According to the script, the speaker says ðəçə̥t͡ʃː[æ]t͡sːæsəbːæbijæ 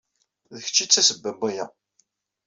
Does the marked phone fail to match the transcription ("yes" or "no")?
yes